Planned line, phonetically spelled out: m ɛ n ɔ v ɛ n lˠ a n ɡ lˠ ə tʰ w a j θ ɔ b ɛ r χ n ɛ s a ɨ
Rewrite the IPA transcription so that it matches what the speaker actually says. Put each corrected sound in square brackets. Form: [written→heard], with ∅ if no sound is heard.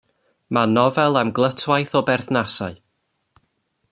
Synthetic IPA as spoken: m [ɛ→a] n ɔ v ɛ [n→∅] lˠ a [n→m] ɡ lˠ ə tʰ w a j θ ɔ b ɛ r [χ→θ] n [ɛ→a] s a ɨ